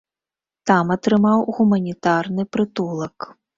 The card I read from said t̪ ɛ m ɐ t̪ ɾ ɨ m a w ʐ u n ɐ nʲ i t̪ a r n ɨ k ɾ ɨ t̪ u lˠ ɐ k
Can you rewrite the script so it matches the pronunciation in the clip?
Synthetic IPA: t̪ a m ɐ t̪ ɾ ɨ m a w ɣ u m ɐ nʲ i t̪ a r n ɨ p ɾ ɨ t̪ u lˠ ɐ k

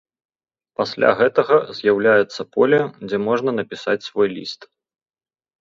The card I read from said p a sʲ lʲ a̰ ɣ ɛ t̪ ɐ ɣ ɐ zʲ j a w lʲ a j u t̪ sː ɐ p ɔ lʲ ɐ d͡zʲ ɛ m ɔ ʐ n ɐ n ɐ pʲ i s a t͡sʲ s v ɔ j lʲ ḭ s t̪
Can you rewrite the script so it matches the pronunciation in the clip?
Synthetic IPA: p a sʲ lʲ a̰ ɣ ɛ t̪ ɐ ɣ ɐ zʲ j a w lʲ a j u t̪ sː ɐ p ɔ lʲ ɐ d͡zʲ ɛ m ɔ ʐ n ɐ n ɐ pʲ i s a t͡sʲ s v ɔ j lʲ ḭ s t̪

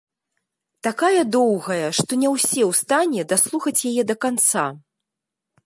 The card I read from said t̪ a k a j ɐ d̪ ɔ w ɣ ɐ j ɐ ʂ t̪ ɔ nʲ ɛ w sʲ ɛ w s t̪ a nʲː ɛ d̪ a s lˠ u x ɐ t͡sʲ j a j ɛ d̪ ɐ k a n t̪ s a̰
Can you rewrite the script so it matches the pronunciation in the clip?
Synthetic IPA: t̪ a k a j ɐ d̪ ɔ w ɣ ɐ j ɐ ʂ t̪ ɔ nʲ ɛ w sʲ ɛ w s t̪ a nʲ ɛ d̪ a s lˠ u x ɐ t͡sʲ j a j ɛ d̪ ɐ k a n t̪ s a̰

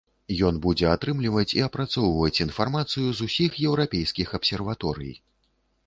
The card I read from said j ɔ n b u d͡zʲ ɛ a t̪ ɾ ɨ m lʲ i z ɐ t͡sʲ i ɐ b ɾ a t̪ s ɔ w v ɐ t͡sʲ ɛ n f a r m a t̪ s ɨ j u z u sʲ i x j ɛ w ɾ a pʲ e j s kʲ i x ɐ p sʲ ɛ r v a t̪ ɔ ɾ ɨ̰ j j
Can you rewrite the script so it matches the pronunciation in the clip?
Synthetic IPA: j ɔ n b u d͡zʲ ɛ a t̪ ɾ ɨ m lʲ i v ɐ t͡sʲ i ɐ p ɾ a t̪ s ɔ w v ɐ t͡sʲ i n f a r m a t̪ s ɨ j u z u sʲ i x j ɛ w ɾ a pʲ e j s kʲ i x ɐ p sʲ ɛ r v a t̪ ɔ ɾ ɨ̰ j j

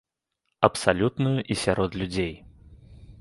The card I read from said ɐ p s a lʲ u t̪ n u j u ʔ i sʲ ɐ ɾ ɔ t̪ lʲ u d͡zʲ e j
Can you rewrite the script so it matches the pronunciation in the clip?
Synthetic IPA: ɐ p s a lʲ u t̪ n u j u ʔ i sʲ a ɾ ɔ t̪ lʲ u d͡zʲ e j

